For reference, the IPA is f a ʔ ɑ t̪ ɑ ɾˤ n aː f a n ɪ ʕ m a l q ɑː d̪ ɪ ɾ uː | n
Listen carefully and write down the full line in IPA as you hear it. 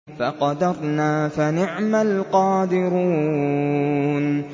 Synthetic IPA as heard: f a q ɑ d̪ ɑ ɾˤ n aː f a n ɪ ʕ m a l q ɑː d̪ ɪ ɾ uː | n